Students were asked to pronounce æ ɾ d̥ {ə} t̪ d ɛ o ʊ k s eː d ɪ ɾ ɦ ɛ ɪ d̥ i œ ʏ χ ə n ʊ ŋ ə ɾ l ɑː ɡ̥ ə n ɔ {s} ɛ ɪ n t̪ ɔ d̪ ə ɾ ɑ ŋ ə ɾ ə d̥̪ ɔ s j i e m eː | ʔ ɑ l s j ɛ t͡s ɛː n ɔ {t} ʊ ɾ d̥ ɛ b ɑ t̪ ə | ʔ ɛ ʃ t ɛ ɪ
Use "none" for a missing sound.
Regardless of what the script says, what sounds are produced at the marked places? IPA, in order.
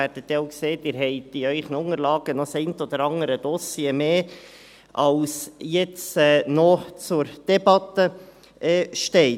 ə, s, t͡s

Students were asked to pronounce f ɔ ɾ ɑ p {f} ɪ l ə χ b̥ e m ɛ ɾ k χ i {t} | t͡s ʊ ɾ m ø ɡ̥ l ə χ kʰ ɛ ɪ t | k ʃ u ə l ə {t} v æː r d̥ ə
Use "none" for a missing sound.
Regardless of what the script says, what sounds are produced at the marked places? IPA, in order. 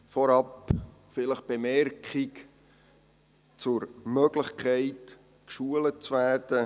f, k, t͡s

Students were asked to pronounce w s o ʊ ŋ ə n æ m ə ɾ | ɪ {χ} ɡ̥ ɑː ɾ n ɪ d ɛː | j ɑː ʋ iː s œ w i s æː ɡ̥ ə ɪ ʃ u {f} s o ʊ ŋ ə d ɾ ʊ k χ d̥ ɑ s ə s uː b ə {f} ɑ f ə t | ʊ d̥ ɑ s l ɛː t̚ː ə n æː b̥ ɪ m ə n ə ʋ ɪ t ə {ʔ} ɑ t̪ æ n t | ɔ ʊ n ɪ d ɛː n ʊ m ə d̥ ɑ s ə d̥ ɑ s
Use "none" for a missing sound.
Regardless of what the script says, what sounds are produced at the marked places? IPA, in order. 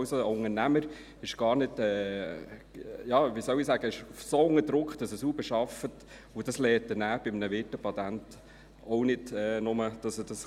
ʃ, f, ʃ, p

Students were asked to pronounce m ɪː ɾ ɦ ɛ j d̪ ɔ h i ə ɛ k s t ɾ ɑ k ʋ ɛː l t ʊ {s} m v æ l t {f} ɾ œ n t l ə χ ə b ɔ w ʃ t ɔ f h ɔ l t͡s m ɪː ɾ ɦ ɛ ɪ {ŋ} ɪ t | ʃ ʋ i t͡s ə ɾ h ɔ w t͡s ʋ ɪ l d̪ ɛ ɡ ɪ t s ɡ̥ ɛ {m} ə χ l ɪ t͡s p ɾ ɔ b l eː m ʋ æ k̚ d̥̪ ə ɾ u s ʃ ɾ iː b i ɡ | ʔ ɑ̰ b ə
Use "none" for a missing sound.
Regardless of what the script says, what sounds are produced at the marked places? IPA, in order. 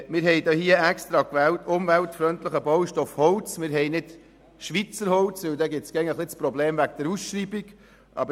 none, f, n, ŋ

